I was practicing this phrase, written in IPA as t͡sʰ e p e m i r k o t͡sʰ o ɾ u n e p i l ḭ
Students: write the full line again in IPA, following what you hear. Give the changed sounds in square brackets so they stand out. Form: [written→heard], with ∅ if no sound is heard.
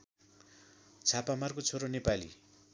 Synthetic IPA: t͡sʰ [e→a] p [e→a] m [i→a] r k o t͡sʰ o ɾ [u→o] n e p [i→a] l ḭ